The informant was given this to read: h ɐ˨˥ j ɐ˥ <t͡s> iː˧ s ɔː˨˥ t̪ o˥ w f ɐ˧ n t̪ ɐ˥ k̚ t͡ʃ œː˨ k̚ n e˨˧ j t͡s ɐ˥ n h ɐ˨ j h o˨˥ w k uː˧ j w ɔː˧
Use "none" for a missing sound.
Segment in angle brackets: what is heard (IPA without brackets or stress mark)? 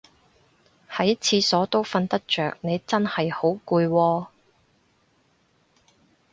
t͡sʰ